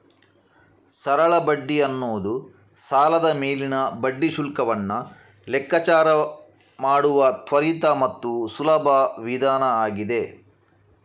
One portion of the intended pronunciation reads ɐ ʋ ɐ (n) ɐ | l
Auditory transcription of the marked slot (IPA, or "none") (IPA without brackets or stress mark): nː